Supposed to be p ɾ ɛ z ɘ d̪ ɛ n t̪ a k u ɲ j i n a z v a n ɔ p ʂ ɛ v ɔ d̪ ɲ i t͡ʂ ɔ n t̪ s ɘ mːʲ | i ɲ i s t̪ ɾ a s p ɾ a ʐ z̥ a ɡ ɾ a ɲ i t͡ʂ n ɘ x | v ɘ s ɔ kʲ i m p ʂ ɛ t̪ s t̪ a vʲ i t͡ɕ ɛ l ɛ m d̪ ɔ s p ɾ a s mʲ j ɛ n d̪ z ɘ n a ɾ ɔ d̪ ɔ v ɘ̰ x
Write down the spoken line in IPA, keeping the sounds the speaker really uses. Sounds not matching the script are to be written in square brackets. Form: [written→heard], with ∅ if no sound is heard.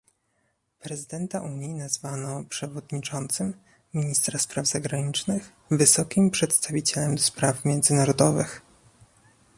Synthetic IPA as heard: p ɾ ɛ z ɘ d̪ ɛ n t̪ a [k→ʔ] u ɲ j i n a z v a n ɔ p ʂ ɛ v ɔ d̪ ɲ i t͡ʂ ɔ n t̪ s ɘ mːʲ | i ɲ i s t̪ ɾ a s p ɾ a [ʐ→v] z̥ a ɡ ɾ a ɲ i t͡ʂ n ɘ x | v ɘ s ɔ kʲ i m p ʂ ɛ t̪ s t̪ a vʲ i t͡ɕ ɛ l ɛ m d̪ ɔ s p ɾ a [s→f] mʲ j ɛ n d̪ z ɘ n a ɾ ɔ d̪ ɔ v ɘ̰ x

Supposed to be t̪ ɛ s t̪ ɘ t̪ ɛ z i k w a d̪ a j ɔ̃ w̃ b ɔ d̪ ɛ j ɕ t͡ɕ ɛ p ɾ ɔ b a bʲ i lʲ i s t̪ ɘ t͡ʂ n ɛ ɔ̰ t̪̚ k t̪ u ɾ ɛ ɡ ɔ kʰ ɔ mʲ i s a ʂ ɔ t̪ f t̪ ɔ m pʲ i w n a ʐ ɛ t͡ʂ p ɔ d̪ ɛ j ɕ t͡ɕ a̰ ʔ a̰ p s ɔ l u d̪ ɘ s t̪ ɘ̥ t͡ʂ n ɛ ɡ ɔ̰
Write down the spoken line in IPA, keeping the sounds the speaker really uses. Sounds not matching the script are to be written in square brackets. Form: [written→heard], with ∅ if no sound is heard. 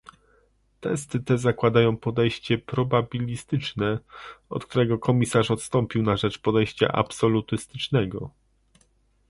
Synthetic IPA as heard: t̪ ɛ s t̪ ɘ t̪ ɛ z [i→a] k w a d̪ a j ɔ̃ w̃ [b→p] ɔ d̪ ɛ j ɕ t͡ɕ ɛ p ɾ ɔ b a bʲ i lʲ i s t̪ ɘ t͡ʂ n ɛ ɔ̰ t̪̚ k t̪ u ɾ ɛ ɡ ɔ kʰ ɔ mʲ i s a ʂ ɔ t̪ [f→s] t̪ ɔ m pʲ i w n a ʐ ɛ t͡ʂ p ɔ d̪ ɛ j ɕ t͡ɕ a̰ ʔ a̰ p s ɔ l u [d̪→t̪] ɘ s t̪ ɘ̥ t͡ʂ n ɛ ɡ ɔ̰

